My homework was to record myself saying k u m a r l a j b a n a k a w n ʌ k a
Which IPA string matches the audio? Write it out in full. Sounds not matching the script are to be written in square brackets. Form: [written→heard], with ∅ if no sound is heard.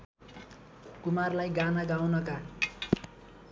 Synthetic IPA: k u m a r l a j [b→ɡ] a n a [k→ɡ] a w n ʌ k a

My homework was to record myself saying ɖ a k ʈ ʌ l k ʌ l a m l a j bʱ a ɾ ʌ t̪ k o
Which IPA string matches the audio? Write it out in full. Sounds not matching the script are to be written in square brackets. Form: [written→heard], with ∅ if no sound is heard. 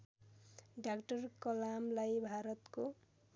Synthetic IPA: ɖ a k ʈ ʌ [l→r] k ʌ l a m l a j bʱ a ɾ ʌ t̪ k o

